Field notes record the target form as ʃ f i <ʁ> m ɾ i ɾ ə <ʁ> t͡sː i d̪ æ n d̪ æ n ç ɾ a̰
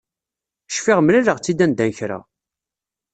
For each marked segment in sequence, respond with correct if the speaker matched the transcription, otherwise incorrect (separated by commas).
correct, correct